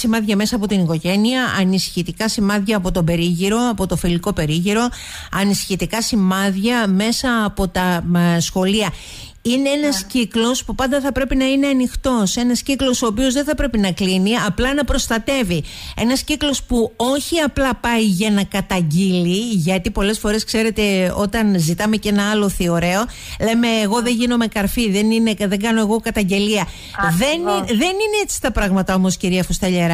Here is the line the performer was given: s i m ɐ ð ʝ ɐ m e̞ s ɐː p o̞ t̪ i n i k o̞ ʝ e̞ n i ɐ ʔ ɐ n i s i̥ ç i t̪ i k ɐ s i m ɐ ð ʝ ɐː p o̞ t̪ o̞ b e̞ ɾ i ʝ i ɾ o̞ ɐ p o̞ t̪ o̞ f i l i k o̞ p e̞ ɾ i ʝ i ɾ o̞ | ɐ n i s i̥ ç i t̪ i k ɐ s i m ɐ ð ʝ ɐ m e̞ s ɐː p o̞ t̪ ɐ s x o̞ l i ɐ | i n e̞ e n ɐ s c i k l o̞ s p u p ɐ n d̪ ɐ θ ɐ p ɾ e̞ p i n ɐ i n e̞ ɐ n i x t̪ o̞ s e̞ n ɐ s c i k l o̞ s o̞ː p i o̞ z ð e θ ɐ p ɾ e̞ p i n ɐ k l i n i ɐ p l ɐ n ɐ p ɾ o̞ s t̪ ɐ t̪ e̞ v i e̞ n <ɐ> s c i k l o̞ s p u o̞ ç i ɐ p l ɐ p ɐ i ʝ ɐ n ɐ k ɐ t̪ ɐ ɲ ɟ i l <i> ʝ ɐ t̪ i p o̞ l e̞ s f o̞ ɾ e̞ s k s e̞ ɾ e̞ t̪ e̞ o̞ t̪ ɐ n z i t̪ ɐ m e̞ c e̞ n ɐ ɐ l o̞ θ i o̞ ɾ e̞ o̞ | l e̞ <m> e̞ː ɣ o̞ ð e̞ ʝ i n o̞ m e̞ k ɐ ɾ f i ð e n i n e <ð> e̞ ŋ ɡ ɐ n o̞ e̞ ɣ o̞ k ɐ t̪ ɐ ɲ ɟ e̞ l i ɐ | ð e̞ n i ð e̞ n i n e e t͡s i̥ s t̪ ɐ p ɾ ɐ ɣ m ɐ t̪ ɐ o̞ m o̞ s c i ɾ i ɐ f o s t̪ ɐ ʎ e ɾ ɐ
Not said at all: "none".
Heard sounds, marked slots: ɐ, i, m, ð

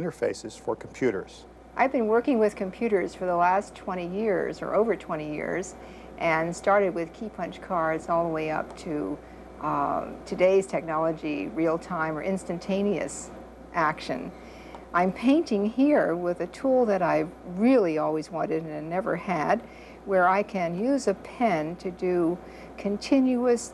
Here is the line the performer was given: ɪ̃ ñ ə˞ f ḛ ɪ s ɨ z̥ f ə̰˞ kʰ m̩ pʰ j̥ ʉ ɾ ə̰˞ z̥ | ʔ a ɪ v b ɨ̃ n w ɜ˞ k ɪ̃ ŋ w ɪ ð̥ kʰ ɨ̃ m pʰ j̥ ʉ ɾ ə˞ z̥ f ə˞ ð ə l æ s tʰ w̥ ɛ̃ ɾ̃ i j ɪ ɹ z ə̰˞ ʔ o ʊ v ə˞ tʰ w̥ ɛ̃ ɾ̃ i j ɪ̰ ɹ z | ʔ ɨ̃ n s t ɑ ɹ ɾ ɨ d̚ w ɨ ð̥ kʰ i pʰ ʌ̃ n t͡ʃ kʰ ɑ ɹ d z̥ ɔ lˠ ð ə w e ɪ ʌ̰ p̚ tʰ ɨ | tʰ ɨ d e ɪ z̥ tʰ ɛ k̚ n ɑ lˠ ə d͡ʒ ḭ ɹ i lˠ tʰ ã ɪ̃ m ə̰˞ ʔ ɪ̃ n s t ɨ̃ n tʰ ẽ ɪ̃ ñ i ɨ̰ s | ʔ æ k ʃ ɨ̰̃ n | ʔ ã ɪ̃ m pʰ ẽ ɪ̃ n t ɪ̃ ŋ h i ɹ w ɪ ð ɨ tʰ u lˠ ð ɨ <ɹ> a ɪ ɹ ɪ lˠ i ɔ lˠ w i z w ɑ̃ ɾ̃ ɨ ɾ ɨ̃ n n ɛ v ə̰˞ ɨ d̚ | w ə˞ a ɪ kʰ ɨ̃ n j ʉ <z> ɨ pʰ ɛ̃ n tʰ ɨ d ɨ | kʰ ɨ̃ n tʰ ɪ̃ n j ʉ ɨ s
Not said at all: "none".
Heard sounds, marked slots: ɾ, z

